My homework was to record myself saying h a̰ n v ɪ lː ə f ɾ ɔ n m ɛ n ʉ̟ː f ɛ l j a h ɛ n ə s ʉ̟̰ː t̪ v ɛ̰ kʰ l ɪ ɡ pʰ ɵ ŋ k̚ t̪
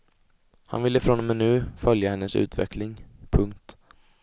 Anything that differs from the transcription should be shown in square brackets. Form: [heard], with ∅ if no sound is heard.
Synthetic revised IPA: h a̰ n v ɪ lː ə f ɾ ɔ n m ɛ n ʉ̟ː f [œ] l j a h ɛ [nː] ə s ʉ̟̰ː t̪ v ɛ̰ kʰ l ɪ [ŋ] pʰ ɵ ŋ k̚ t̪